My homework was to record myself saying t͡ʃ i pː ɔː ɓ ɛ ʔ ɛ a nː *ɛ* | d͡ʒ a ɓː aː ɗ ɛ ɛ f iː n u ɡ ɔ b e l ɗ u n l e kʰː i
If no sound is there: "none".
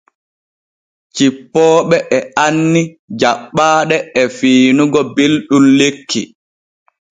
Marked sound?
i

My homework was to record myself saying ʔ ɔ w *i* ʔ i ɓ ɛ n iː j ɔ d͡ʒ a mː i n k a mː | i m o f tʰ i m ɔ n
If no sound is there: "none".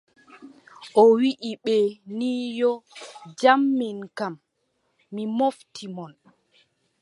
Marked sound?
i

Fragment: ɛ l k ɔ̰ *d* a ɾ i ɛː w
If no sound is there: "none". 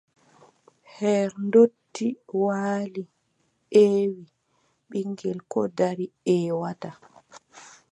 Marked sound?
d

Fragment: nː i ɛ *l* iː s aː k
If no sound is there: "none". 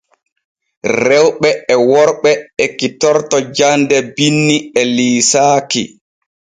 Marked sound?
l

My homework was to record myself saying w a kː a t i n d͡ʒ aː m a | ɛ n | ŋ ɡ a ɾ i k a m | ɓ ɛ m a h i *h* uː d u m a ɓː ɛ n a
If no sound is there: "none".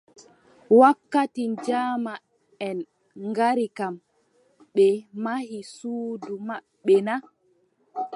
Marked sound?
s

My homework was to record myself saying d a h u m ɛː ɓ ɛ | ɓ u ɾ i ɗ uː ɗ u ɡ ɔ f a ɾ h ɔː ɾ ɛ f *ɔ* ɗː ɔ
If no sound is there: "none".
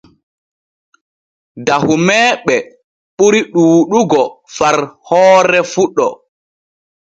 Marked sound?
u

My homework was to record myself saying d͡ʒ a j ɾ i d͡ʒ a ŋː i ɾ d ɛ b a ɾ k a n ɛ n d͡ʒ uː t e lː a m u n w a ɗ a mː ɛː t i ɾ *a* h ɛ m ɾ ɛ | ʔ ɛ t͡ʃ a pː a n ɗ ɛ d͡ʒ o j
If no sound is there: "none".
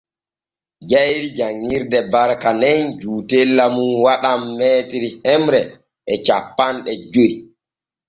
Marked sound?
i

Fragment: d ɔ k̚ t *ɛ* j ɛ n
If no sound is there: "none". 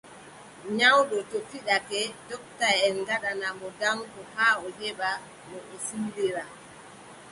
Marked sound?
a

